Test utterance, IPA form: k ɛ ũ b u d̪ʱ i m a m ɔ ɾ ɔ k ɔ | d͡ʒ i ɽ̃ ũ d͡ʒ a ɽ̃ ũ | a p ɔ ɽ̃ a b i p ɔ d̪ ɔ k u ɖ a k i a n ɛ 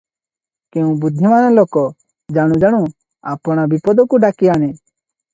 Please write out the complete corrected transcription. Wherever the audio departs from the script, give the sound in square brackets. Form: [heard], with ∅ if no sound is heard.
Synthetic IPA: k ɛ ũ b u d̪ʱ i m a [n] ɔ [l] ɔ k ɔ | d͡ʒ [a] ɽ̃ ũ d͡ʒ a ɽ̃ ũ | a p ɔ ɽ̃ a b i p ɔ d̪ ɔ k u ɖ a k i a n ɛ